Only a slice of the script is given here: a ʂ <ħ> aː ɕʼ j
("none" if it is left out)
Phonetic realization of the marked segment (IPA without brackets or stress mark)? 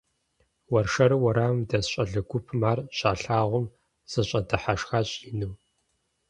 x